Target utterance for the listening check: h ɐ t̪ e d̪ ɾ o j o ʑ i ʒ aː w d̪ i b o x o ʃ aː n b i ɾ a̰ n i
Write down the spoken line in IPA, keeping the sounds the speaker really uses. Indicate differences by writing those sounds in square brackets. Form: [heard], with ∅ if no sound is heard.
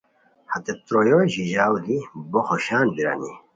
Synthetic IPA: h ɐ t̪ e [t̪] ɾ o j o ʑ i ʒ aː w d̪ i b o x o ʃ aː n b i ɾ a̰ n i